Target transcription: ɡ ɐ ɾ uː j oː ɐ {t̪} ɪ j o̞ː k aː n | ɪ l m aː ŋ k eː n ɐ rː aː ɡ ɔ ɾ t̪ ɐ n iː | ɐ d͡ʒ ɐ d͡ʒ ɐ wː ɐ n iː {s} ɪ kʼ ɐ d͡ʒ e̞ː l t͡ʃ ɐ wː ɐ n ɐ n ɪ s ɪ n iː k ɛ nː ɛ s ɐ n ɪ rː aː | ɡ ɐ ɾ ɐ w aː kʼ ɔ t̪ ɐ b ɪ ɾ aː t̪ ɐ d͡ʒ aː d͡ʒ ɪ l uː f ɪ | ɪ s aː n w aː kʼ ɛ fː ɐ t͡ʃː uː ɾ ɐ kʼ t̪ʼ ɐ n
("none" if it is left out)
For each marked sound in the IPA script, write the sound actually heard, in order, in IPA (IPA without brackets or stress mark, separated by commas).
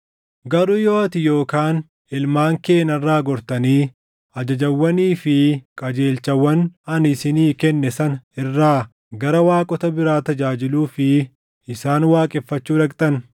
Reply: t̪, f